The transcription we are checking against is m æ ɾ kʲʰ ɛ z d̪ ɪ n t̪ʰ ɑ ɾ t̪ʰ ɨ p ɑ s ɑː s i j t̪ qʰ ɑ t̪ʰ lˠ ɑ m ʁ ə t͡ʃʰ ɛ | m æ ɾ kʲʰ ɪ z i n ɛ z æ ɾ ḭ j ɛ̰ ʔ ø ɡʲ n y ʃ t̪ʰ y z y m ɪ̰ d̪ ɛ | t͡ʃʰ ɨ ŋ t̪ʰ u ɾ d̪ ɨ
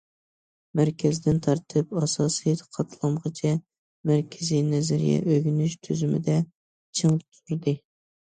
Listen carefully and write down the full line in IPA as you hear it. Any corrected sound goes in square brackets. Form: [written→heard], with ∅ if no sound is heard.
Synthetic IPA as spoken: m æ ɾ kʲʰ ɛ z d̪ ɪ n t̪ʰ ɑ ɾ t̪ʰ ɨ p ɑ s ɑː s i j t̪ qʰ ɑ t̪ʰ lˠ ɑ m ʁ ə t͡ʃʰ ɛ | m æ ɾ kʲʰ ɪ z i n ɛ z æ ɾ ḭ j ɛ̰ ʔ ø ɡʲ n y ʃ t̪ʰ y z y m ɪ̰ d̪ ɛ | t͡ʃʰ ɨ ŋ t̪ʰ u ɾ d̪ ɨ